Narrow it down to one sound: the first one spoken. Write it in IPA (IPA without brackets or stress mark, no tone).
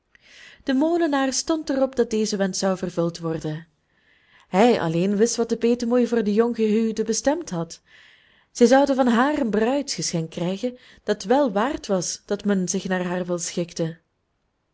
d̥